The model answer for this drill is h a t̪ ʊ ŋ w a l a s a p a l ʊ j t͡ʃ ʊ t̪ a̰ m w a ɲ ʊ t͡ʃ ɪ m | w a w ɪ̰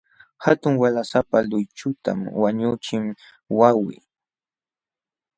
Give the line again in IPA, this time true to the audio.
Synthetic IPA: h a t̪ ʊ ŋ w a l a s a p a l ʊ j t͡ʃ ʊ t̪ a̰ m w a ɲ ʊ t͡ʃ ɪ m | w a w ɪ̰